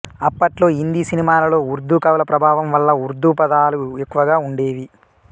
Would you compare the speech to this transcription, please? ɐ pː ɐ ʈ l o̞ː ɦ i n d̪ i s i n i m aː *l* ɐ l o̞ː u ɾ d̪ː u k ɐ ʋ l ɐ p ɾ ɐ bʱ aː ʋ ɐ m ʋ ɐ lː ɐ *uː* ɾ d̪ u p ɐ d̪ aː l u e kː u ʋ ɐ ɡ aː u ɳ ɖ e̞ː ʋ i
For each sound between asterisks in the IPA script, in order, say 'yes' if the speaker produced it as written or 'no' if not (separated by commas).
yes, no